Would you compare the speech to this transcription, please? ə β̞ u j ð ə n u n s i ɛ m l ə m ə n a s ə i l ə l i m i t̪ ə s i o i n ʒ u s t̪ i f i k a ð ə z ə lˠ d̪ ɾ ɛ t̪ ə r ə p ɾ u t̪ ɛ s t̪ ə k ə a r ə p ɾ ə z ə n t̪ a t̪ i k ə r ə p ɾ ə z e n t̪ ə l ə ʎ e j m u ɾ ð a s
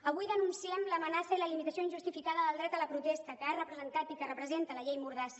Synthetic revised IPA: ə β̞ u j ð ə n u n s i ɛ m l ə m ə n a s ə i l ə l i m i t̪ ə s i o i n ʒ u s t̪ i f i k a ð ə ð ə lˠ d̪ ɾ ɛ t̪ ə l ə p ɾ u t̪ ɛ s t̪ ə k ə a r ə p ɾ ə z ə n t̪ a t̪ i k ə r ə p ɾ ə z e n t̪ ə l ə ʎ e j m u ɾ ð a s